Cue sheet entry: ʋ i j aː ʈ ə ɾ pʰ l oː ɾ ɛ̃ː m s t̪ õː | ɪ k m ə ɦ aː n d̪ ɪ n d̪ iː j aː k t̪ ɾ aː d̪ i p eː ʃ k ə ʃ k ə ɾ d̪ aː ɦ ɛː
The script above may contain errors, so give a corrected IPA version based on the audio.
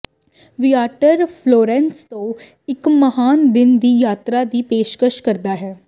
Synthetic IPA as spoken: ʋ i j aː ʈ ə ɾ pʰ l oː ɾ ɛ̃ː n s t̪ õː | ɪ k m ə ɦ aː n d̪ ɪ n d̪ iː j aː t̪ ɾ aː d̪ iː p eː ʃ k ə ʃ k ə ɾ d̪ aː ɦ ɛː